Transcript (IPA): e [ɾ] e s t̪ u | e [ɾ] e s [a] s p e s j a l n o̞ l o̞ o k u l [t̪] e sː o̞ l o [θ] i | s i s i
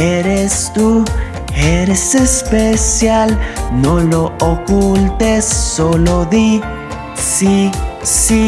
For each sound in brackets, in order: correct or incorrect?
correct, correct, incorrect, correct, incorrect

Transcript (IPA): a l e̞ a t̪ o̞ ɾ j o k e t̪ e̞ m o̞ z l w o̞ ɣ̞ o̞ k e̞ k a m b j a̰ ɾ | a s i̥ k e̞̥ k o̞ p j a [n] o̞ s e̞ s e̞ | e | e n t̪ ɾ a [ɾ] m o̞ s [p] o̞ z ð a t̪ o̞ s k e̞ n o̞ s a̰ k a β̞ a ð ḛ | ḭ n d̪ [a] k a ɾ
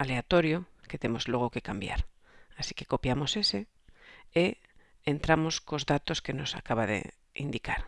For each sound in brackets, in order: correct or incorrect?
incorrect, incorrect, incorrect, incorrect

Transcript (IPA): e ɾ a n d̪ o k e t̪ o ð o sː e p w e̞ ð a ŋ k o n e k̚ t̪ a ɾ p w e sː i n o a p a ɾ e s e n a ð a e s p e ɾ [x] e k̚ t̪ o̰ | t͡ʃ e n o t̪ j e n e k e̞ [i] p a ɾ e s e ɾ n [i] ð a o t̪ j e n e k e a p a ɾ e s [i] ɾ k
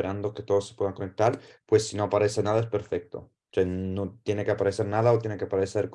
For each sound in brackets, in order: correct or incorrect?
incorrect, incorrect, incorrect, incorrect

